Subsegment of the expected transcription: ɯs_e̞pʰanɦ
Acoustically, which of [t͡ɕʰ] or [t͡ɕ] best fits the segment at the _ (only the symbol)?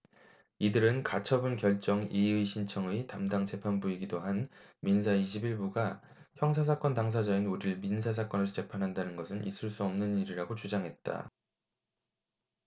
t͡ɕ